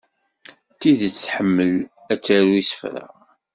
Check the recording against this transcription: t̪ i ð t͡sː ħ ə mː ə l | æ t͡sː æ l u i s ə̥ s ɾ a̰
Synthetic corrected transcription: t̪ i ð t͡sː ħ ə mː ə l | æ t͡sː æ ɾ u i s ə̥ f ɾ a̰